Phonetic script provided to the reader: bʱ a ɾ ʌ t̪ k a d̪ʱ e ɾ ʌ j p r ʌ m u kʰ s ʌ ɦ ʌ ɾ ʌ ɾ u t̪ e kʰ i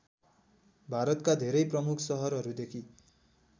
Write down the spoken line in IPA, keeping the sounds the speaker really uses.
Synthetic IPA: bʱ a ɾ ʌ t̪ k a d̪ʱ e ɾ ʌ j p r ʌ m u kʰ s ʌ ɦ ʌ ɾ ʌ ɾ u d̪ e kʰ i